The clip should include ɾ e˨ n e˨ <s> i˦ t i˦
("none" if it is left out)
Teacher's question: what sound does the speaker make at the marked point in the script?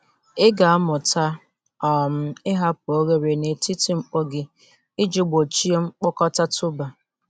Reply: t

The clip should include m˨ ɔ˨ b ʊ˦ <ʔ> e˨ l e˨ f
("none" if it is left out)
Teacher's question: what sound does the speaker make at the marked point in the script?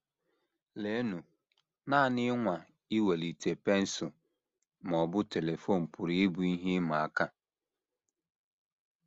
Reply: t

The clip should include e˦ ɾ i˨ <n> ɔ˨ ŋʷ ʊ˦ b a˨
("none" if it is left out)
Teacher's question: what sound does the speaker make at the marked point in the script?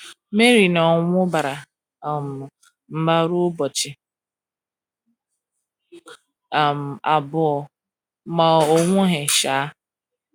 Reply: n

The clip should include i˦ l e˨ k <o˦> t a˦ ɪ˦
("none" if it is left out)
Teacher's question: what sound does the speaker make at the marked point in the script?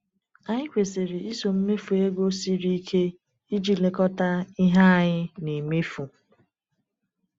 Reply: ɔ˦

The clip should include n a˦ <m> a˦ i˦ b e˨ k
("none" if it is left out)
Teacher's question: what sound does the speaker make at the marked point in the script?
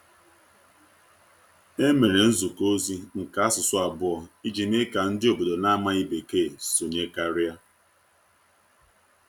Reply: m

